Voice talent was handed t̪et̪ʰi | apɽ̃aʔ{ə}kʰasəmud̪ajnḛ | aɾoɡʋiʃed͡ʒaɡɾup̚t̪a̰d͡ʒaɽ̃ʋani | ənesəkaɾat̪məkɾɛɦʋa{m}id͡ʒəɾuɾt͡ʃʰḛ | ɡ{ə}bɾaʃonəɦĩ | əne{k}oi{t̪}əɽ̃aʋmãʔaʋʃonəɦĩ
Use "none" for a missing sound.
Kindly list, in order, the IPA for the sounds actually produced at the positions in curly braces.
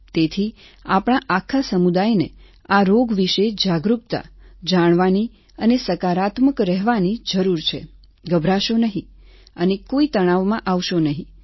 a, n, ə, k, t̪

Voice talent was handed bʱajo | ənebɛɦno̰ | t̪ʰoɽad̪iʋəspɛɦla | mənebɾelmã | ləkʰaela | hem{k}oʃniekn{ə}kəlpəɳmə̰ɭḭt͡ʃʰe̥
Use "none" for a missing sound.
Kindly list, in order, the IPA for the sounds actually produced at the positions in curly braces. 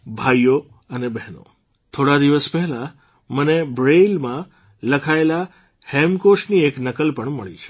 k, ə

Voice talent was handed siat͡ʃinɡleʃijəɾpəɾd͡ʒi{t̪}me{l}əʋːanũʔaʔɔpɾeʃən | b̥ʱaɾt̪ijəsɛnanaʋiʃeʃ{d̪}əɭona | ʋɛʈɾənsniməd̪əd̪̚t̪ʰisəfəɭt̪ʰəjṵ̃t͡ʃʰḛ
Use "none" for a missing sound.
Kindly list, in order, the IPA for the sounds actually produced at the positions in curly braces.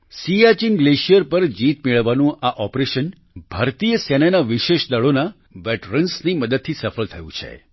t̪, ɭ, d̪

